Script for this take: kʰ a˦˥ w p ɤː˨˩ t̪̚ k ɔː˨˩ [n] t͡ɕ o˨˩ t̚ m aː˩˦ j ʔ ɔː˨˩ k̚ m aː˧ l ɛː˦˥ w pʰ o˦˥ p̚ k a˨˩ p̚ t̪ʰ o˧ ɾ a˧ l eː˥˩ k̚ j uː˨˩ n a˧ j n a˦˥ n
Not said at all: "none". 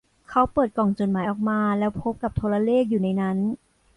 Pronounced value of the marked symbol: ŋ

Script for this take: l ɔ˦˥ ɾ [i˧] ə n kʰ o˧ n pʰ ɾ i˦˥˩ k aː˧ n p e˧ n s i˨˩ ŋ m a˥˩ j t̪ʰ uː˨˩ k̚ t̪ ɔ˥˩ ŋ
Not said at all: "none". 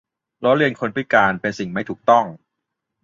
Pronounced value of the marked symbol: i˧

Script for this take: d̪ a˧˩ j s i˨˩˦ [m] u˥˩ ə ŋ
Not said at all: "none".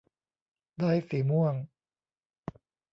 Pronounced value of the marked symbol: m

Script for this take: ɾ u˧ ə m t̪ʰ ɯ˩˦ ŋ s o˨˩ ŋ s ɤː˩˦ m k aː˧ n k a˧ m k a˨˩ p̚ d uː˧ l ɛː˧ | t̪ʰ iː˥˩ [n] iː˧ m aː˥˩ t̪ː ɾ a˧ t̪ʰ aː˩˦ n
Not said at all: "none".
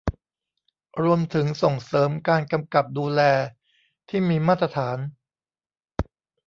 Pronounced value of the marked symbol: m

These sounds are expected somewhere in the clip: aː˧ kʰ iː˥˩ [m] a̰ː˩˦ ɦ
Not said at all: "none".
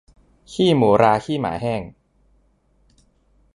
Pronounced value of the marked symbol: m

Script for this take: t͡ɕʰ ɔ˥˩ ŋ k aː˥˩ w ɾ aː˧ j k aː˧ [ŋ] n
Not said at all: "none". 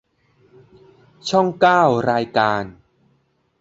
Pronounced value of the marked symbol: none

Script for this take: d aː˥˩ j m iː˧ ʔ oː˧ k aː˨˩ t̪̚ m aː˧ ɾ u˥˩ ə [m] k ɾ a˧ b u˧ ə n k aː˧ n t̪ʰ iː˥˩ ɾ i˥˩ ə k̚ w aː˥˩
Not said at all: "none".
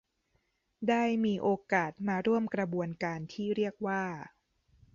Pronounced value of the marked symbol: m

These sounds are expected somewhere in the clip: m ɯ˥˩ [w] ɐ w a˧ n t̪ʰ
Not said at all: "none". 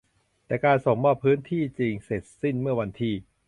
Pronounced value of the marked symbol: none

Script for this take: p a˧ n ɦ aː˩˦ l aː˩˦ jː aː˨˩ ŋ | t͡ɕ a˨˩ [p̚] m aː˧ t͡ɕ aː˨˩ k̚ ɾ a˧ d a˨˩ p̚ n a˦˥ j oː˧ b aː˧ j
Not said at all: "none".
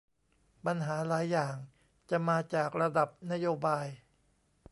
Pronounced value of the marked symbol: none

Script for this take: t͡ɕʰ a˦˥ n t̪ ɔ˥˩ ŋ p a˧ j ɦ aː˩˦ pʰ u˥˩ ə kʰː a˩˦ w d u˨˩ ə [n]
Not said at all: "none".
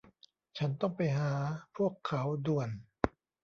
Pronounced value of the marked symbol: n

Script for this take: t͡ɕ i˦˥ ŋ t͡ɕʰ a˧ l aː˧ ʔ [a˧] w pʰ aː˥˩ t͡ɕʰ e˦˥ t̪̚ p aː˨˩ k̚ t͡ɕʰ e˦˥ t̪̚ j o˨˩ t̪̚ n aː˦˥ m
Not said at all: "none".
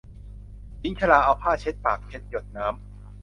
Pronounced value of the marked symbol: a˧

